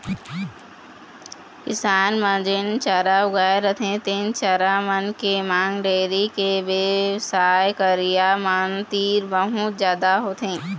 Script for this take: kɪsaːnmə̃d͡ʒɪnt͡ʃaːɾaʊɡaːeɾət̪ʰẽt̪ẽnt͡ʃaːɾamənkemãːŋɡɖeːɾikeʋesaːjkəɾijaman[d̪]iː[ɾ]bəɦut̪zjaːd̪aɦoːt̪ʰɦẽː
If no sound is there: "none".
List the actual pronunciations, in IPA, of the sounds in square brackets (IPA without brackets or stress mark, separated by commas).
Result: t̪, ɾ